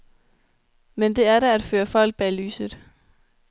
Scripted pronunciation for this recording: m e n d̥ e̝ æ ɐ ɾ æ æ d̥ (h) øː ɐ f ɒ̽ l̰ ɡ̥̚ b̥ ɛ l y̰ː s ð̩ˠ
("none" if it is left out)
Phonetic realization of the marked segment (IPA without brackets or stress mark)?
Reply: f